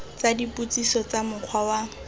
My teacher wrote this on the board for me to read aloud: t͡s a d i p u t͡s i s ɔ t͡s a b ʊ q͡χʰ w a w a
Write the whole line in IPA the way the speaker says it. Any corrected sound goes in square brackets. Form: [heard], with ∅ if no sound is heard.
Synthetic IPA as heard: t͡s a d i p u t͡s i s ɔ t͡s a [m] ʊ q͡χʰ w a w a

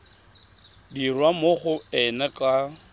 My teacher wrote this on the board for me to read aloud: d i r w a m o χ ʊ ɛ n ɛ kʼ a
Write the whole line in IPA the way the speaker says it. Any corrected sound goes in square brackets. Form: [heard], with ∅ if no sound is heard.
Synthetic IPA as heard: d i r w a m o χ ʊ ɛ n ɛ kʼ a

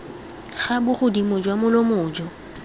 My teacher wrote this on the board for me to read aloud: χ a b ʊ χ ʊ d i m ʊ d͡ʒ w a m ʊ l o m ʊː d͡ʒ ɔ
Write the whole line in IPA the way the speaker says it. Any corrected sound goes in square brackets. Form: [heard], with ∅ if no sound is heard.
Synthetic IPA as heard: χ a b ʊ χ ʊ d i m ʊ d͡ʒ w a m ʊ l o m ʊː d͡ʒ ɔ

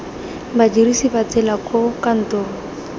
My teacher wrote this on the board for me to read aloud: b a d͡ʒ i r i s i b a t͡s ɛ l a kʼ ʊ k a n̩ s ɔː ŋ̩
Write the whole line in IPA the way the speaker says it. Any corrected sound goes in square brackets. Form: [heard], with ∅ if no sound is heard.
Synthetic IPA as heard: b a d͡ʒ i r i s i b a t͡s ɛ l a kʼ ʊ k a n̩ [t] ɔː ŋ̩

